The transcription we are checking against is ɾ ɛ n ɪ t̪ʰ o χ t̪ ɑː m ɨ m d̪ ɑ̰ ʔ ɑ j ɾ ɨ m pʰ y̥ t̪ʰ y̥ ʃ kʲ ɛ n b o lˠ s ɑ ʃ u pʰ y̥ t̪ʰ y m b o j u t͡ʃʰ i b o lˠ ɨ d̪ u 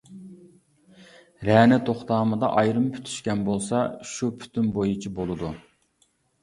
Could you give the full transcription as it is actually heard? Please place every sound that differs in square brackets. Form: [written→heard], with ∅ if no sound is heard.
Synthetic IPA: ɾ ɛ n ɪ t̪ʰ o χ t̪ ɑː m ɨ [m→∅] d̪ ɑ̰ ʔ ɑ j ɾ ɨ m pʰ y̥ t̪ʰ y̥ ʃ kʲ ɛ n b o lˠ s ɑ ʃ u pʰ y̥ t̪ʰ y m b o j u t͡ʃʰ i b o lˠ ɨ d̪ u